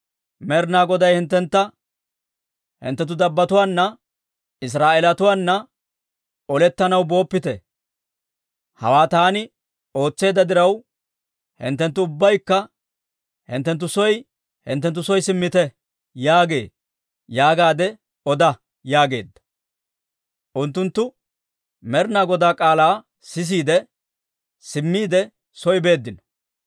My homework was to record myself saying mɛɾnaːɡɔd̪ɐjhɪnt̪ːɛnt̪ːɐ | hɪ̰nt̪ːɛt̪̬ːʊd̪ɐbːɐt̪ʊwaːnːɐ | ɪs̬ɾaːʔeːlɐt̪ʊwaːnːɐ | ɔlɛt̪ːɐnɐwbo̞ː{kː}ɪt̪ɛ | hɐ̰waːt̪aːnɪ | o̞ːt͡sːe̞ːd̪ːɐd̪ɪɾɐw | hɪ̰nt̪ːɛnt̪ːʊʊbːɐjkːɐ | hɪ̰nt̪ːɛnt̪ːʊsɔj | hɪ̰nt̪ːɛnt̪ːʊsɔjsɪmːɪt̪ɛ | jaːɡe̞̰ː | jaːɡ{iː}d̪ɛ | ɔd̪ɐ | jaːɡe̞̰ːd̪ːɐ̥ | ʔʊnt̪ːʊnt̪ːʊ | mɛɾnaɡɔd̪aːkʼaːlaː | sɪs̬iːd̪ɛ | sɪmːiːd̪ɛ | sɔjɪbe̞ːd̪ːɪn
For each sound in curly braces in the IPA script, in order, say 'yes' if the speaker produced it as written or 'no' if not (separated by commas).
no, no